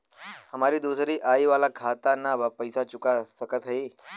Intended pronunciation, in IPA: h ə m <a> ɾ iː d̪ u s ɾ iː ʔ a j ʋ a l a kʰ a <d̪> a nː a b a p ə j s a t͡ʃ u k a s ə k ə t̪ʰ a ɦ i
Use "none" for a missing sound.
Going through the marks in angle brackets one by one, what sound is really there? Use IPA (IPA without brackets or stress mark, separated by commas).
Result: a, t̪